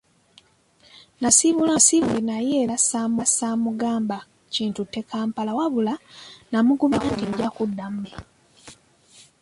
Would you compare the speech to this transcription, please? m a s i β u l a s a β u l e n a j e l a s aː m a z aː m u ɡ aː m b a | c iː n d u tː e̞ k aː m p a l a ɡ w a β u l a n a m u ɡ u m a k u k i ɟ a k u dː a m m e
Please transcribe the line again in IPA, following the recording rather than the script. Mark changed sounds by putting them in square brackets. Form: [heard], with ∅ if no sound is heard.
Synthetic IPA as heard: [n] a s i β u l a s [i] β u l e n a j e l a s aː m a [s] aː m u ɡ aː m b a | c iː n [t] u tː e̞ k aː m p a l a [∅] w a β u l a n a m u ɡ u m a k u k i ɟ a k u dː a m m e